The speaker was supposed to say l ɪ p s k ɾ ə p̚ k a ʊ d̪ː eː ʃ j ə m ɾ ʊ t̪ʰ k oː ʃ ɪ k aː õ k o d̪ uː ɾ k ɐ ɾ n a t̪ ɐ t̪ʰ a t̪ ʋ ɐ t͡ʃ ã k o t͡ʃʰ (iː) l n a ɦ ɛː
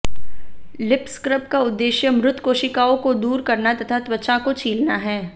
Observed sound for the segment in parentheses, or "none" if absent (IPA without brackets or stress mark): iː